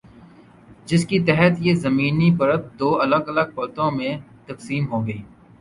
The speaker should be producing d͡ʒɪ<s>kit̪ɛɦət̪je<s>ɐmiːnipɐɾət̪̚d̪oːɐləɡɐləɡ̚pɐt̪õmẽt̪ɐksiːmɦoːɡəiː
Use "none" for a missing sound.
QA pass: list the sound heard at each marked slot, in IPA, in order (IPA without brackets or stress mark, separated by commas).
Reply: s, z